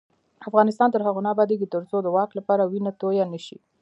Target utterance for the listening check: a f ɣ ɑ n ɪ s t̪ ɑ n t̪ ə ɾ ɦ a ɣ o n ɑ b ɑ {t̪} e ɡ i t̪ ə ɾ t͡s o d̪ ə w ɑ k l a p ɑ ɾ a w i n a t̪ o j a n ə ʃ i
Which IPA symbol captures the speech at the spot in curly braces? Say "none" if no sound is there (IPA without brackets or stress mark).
d̪